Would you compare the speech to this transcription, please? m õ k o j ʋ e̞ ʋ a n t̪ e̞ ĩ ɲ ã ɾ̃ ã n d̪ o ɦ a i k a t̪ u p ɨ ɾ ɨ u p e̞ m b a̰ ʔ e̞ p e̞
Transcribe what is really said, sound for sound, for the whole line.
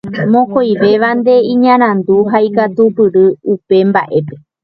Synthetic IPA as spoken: m õ k o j ʋ e̞ ʋ a n d̪ e̞ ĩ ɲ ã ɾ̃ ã n d̪ u ɦ a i k a t̪ u p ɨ ɾ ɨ u p e̞ m b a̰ ʔ e̞ p e̞